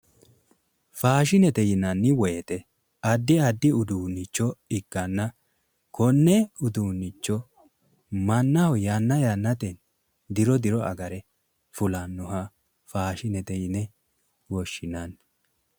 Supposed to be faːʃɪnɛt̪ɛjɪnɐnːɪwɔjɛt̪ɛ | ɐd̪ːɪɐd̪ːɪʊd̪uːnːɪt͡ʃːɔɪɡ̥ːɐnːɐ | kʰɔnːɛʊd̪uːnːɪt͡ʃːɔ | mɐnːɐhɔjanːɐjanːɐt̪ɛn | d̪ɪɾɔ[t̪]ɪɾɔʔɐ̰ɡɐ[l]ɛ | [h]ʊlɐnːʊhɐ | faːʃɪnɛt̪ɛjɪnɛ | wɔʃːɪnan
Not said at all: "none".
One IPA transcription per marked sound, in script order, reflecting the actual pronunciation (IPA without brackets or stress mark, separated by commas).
d̪, ɾ, f